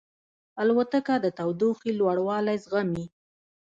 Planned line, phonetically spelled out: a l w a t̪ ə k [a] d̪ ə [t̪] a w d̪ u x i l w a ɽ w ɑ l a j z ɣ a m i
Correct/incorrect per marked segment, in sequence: correct, correct

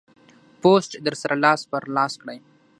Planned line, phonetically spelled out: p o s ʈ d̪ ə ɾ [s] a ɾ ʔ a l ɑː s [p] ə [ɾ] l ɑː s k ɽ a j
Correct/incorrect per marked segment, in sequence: correct, correct, correct

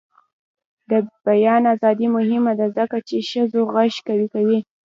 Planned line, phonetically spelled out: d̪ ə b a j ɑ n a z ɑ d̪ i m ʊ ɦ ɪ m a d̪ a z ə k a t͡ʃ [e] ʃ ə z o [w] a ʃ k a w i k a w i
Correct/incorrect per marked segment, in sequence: correct, incorrect: ɣ

